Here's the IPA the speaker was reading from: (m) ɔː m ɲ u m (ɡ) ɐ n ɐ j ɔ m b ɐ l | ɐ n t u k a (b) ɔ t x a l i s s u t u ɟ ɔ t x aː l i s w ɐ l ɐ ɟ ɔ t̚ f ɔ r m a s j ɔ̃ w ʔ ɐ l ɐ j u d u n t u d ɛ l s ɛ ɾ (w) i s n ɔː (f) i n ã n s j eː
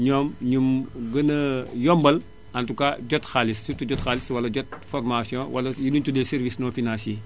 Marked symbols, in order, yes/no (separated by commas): no, yes, no, no, yes